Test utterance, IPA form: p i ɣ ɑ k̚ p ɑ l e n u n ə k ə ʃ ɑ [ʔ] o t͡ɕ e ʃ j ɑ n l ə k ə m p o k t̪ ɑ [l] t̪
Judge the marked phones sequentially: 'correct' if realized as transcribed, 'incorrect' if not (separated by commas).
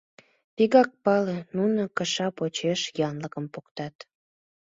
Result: incorrect, incorrect